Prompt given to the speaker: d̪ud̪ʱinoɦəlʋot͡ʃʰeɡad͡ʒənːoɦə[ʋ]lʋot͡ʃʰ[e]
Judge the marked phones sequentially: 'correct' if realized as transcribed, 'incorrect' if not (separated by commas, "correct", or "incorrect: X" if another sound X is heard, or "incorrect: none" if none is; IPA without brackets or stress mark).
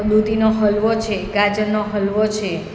incorrect: none, correct